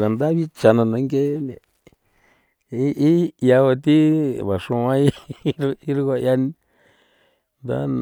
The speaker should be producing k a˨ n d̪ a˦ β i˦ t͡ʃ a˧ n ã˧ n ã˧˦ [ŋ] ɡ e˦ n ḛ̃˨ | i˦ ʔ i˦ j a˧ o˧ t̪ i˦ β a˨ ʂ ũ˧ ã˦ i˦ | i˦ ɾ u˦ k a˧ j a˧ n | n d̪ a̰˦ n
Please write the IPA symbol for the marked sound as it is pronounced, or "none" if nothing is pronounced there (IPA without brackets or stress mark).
ŋ